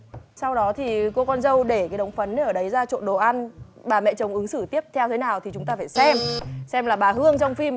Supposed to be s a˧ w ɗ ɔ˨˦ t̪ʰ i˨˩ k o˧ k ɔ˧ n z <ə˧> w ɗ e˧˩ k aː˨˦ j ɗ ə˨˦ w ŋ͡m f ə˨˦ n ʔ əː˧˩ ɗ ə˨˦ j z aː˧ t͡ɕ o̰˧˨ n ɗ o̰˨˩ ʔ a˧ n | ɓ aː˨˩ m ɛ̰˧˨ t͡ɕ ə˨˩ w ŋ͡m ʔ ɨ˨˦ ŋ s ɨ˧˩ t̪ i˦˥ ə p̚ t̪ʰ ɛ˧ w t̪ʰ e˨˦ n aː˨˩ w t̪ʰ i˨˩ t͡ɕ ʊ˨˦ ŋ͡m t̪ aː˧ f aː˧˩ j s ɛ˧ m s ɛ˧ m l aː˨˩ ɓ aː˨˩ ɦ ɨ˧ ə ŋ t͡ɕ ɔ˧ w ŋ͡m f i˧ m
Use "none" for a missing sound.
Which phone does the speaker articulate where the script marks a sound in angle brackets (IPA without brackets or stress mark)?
ə˧